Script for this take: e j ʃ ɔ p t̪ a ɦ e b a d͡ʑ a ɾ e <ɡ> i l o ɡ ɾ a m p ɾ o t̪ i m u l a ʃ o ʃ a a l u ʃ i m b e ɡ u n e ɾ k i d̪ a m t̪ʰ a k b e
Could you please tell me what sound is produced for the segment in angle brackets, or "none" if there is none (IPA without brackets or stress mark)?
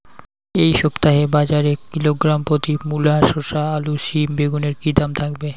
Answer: k